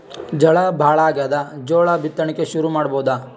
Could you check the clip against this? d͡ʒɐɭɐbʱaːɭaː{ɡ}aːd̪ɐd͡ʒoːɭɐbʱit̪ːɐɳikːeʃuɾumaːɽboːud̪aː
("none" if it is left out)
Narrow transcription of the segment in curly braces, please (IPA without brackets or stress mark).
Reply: ɡ